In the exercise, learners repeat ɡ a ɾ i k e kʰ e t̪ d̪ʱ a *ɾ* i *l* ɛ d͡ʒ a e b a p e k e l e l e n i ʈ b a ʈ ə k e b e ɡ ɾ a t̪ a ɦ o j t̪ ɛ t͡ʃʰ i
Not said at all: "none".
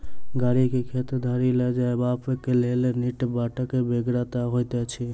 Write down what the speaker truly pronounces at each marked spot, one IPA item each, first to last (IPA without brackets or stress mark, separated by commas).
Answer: ɾ, l